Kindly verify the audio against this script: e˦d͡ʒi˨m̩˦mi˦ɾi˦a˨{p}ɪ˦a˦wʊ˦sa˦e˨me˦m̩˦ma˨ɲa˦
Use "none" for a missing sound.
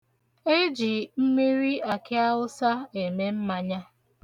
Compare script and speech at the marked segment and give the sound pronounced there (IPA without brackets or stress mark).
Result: k